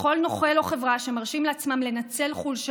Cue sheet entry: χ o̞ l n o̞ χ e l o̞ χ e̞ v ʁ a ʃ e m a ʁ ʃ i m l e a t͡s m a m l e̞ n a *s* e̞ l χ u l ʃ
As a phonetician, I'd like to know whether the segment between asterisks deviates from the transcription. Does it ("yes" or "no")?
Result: yes